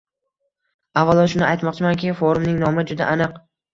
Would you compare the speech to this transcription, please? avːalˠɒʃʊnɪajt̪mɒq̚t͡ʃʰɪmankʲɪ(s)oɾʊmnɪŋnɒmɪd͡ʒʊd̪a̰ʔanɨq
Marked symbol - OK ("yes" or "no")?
no